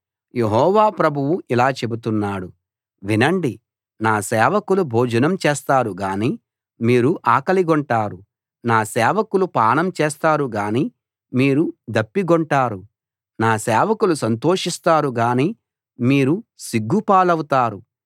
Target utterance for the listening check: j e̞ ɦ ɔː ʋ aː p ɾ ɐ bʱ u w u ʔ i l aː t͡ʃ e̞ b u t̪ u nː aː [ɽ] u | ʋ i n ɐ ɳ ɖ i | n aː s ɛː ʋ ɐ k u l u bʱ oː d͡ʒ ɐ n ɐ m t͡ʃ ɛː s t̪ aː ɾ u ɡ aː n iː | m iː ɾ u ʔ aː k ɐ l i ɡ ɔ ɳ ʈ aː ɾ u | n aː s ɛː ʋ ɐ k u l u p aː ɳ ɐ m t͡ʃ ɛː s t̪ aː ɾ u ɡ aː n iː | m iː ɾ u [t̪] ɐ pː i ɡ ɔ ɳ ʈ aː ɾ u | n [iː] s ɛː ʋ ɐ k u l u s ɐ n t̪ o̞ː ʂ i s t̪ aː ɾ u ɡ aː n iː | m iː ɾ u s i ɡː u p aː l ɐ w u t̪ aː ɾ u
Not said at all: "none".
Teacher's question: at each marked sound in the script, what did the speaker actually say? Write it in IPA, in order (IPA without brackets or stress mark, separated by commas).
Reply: ɽ, d̪, aː